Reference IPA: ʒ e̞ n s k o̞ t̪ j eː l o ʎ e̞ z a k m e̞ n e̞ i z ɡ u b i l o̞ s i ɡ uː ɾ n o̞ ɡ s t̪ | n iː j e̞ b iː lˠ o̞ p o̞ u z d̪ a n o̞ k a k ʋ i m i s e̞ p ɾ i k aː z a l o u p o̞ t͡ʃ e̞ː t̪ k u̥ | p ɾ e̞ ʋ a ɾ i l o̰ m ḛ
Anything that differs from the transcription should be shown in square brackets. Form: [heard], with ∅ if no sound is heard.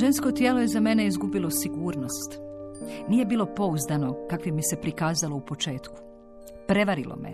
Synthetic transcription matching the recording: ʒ e̞ n s k o̞ t̪ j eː l o [j] e̞ z a [∅] m e̞ n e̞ i z ɡ u b i l o̞ s i ɡ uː ɾ n o̞ [∅] s t̪ | n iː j e̞ b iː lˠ o̞ p o̞ u z d̪ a n o̞ k a k ʋ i m i s e̞ p ɾ i k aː z a l o u p o̞ t͡ʃ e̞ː t̪ k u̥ | p ɾ e̞ ʋ a ɾ i l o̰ m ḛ